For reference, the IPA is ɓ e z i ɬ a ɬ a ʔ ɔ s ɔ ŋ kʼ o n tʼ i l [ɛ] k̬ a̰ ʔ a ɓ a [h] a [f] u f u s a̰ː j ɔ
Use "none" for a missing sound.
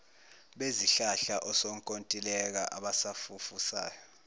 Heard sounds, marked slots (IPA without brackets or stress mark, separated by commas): ɛ, s, f